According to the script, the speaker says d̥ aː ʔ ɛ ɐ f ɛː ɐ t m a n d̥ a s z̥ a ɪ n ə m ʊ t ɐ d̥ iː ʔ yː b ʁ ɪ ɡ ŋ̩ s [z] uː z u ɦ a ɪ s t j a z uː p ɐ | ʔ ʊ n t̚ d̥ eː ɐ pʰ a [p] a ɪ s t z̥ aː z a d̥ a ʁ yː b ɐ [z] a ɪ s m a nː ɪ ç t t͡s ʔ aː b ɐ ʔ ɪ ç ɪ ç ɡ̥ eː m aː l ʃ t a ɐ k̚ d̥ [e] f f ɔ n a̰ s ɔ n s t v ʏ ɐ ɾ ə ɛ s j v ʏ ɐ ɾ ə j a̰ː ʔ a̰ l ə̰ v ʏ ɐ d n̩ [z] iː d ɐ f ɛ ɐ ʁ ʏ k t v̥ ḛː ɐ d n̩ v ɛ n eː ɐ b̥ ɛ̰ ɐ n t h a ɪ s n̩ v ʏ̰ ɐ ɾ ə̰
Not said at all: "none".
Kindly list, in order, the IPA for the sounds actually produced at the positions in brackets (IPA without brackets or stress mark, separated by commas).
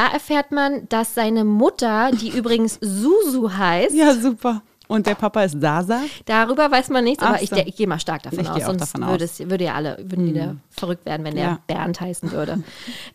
z, p, v, a, v